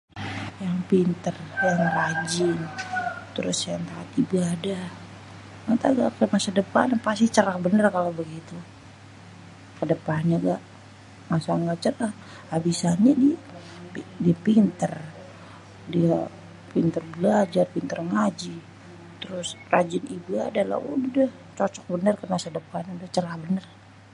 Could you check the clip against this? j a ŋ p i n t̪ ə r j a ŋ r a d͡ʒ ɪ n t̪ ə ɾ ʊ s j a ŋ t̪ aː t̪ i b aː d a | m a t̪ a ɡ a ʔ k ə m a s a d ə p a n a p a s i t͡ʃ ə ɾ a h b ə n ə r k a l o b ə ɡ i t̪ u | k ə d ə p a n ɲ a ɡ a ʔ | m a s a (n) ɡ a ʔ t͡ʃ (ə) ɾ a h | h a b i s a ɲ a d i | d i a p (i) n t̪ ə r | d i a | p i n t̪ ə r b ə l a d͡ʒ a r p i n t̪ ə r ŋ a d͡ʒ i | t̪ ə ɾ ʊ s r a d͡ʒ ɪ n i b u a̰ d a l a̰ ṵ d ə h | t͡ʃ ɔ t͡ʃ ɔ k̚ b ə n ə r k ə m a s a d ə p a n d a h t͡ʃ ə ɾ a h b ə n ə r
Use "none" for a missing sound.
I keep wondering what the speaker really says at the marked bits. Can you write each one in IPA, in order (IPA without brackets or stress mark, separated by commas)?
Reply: ŋ, ə, i